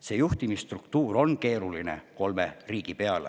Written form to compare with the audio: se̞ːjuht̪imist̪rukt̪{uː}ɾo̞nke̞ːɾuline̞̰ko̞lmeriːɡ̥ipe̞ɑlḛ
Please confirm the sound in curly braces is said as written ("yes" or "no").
yes